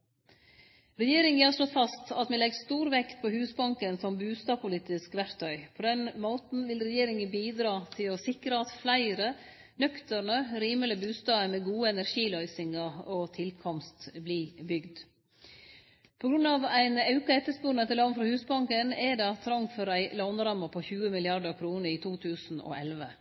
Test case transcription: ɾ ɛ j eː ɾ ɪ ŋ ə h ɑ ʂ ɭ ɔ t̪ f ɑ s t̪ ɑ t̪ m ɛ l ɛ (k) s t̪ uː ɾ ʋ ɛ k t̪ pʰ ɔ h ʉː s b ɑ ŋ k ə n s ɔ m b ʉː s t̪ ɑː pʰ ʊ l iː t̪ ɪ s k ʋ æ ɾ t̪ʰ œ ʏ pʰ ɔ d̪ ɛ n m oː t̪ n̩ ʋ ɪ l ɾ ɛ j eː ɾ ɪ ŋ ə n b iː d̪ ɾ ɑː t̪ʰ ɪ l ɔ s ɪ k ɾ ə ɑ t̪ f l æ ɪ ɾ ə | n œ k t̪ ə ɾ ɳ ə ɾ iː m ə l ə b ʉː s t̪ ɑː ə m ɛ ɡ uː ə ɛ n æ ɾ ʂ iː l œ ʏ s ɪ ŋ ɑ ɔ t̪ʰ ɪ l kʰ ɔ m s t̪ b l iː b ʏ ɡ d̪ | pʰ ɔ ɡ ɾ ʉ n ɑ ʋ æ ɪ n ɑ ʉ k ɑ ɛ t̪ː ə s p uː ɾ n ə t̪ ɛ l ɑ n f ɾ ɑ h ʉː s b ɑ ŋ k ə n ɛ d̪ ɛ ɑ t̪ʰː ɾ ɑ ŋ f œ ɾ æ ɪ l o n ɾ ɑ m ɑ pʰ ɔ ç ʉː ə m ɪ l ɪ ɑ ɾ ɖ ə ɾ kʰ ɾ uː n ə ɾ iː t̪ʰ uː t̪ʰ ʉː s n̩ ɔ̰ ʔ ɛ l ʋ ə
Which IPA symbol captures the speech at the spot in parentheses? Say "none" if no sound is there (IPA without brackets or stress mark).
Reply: ɡ